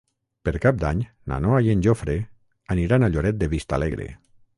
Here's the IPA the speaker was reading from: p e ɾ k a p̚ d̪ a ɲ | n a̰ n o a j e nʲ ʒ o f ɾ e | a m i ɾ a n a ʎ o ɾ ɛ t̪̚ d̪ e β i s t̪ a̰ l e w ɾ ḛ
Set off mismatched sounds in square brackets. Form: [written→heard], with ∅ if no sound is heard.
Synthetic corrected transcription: p e ɾ k a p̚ d̪ a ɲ | n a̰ n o a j e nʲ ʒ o f ɾ e | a [m→n] i ɾ a n a ʎ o ɾ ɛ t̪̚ d̪ e β i s t̪ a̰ l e [w→ɣ] ɾ ḛ